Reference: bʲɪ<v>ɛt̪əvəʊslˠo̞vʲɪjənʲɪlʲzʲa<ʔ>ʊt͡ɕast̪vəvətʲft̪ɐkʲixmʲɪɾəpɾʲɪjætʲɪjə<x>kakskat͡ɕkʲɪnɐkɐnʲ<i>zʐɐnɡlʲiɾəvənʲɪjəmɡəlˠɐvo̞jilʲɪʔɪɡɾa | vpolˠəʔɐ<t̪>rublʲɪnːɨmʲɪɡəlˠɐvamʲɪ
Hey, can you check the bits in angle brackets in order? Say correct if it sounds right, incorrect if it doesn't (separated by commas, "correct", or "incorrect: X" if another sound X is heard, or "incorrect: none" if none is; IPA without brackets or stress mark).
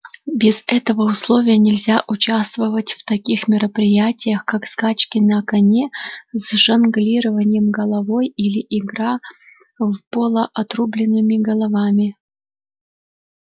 incorrect: z, correct, correct, incorrect: e, correct